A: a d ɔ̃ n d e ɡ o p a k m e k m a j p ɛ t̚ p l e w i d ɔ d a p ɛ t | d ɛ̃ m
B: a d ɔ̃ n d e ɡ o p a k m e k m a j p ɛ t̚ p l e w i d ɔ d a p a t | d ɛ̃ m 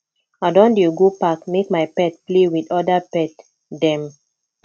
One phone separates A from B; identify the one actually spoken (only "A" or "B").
A